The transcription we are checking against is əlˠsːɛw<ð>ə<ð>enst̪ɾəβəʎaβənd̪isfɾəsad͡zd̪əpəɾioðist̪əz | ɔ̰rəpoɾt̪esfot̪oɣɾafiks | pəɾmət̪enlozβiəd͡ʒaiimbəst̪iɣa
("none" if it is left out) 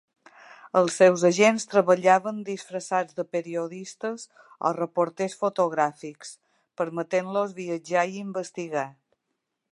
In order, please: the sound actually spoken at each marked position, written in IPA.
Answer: z, ʒ

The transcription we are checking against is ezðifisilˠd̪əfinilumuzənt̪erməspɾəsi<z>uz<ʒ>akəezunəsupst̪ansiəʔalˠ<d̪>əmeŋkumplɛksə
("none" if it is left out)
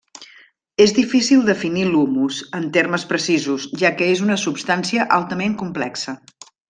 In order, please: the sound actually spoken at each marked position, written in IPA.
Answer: z, ʒ, t̪

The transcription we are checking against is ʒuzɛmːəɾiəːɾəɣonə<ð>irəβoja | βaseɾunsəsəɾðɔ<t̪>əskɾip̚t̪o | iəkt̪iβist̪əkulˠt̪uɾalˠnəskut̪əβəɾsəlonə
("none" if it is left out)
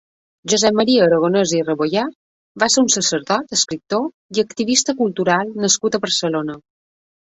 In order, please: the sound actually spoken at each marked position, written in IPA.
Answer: z, t̪

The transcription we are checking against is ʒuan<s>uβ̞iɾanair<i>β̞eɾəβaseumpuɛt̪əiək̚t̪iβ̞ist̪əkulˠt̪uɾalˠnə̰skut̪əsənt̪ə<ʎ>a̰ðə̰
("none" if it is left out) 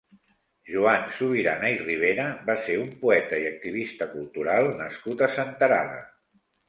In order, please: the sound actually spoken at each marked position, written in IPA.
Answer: s, i, ɾ

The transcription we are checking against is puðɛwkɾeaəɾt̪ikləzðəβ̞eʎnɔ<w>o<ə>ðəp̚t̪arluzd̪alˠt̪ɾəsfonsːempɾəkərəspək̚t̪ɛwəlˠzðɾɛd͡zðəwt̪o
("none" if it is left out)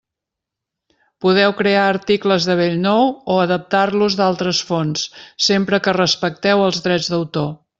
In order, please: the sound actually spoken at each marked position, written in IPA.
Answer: w, ə

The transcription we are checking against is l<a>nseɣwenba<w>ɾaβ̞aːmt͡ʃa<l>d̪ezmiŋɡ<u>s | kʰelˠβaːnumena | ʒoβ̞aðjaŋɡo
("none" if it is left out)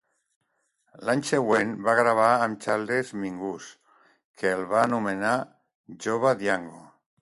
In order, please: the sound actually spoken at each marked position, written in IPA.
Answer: a, ɣ, l, u

